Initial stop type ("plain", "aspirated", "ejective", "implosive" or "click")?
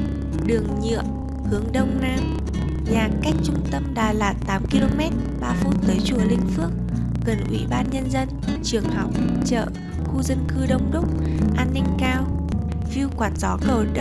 implosive